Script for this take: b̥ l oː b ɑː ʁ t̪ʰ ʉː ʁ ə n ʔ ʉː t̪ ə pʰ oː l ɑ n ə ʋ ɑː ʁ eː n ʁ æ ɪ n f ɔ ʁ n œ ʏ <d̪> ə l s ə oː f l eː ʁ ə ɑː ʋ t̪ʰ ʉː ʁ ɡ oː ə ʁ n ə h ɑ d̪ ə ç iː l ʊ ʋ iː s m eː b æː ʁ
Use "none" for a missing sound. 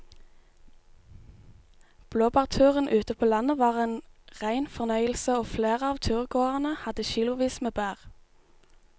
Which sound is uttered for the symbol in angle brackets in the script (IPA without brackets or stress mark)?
none